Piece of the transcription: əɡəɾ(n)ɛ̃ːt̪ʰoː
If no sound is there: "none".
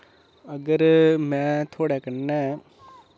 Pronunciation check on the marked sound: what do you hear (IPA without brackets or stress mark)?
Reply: m